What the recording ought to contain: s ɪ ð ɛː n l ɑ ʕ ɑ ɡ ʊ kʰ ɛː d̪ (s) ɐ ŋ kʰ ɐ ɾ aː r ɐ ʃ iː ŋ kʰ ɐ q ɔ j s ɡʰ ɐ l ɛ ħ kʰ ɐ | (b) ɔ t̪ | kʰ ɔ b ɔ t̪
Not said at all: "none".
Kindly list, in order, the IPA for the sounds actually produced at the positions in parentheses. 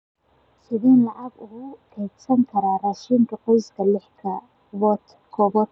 s, w

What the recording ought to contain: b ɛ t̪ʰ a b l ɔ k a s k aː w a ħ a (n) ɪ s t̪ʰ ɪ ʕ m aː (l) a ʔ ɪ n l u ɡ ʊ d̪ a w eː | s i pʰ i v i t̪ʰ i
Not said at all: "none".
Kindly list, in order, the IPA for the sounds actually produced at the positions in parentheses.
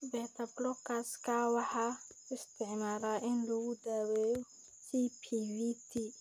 none, ɾ

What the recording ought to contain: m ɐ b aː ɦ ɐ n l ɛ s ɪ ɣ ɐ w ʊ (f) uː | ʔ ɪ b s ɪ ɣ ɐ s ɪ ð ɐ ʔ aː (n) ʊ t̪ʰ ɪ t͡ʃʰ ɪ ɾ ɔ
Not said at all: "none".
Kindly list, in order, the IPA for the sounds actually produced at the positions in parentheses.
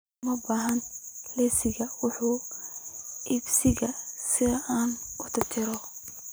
ħ, n

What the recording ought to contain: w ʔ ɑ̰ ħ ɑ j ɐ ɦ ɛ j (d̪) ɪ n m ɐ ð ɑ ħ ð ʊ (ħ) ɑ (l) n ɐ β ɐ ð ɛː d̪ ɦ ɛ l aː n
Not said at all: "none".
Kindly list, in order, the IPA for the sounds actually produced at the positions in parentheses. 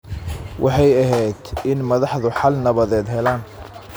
d̪, ħ, l

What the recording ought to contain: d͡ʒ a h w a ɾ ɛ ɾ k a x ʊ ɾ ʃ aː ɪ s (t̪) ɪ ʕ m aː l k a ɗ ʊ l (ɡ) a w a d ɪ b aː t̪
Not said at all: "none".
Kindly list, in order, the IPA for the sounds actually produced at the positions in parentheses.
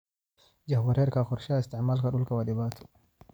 t̪, k

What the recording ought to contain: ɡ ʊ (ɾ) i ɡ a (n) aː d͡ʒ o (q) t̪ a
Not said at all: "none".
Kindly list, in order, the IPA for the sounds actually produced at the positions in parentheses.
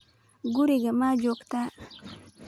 ɾ, m, k

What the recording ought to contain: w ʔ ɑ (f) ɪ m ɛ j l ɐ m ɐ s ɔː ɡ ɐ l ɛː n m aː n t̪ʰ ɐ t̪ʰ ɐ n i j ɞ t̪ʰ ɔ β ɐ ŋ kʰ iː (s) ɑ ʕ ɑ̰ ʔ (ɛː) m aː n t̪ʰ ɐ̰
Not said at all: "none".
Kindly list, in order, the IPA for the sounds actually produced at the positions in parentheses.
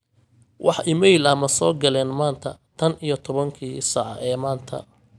ħ, s, ɛː

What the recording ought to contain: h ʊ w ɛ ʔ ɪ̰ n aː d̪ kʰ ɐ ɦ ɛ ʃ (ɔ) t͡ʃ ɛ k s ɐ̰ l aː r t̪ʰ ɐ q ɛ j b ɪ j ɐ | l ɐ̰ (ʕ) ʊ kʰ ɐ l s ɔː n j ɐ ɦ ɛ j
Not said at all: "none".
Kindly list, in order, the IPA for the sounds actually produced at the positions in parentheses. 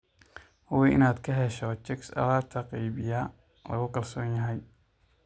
ɔ, ɣ

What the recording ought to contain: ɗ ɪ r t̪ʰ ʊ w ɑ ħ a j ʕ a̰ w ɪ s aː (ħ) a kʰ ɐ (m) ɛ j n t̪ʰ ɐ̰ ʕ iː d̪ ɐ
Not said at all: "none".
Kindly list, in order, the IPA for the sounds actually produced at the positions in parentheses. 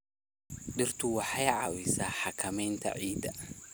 ħ, m

